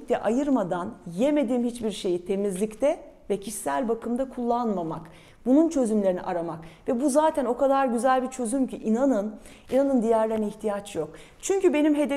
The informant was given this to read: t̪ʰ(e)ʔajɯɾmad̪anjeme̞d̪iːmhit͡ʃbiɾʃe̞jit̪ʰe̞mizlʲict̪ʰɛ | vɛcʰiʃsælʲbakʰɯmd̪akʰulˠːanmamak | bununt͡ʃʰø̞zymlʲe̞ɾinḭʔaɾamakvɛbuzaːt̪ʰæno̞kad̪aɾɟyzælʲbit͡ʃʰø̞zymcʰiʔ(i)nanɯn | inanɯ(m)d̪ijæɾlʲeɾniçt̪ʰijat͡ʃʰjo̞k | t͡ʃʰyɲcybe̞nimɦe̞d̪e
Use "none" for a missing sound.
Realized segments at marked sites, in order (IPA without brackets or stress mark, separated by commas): ɛ, i, n